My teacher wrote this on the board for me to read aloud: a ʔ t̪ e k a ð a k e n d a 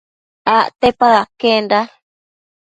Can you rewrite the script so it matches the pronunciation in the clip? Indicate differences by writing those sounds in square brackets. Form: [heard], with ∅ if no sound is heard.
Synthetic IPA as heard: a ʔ t̪ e [p] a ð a k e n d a